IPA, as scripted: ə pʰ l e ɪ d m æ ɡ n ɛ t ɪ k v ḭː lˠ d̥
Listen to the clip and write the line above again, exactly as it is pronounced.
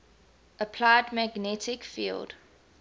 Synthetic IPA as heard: ə pʰ l a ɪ d m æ ɡ n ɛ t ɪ k f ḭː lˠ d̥